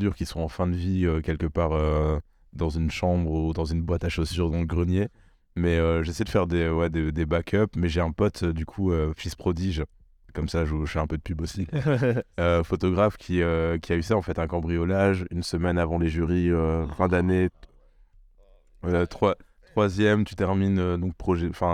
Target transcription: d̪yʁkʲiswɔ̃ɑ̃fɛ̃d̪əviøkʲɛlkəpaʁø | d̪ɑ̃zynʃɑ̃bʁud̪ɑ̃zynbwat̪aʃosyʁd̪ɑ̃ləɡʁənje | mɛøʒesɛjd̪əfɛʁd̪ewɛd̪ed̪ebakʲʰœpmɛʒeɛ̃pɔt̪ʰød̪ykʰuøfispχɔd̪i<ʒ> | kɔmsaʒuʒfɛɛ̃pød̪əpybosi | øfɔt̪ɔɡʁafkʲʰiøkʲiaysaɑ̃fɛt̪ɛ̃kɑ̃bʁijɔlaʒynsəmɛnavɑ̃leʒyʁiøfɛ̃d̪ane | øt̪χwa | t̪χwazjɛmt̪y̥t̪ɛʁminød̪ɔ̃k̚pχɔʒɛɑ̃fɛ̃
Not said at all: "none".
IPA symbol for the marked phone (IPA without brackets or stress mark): ʒ